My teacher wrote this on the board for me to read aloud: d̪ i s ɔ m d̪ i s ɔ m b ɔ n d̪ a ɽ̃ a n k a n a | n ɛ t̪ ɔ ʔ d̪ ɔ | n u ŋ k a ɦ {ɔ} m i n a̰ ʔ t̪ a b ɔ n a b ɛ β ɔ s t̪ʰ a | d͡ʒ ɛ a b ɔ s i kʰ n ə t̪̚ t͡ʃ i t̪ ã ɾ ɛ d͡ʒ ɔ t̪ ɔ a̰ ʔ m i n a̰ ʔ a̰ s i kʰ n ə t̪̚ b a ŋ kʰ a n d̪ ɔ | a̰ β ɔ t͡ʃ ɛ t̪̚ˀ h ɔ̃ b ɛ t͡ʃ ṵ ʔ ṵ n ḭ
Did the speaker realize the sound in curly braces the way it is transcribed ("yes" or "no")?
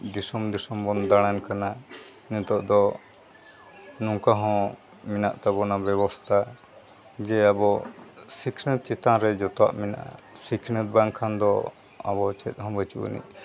no